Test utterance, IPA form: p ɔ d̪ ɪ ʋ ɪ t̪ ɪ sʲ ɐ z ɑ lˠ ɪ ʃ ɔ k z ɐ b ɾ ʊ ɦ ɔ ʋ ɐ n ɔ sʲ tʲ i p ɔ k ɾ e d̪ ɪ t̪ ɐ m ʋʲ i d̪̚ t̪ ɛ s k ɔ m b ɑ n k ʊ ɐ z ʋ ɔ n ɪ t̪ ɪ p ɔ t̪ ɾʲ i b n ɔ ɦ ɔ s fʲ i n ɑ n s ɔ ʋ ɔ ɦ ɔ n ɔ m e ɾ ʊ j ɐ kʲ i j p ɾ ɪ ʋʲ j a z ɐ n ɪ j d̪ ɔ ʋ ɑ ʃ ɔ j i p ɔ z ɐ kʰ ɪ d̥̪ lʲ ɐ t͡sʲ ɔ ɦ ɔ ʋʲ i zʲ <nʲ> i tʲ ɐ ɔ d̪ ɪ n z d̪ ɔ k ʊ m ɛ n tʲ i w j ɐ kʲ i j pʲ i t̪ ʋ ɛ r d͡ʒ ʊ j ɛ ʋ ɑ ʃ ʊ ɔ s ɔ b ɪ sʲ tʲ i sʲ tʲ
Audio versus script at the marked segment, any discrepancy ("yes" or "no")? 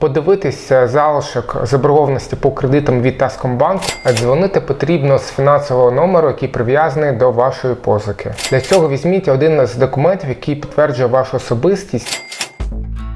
yes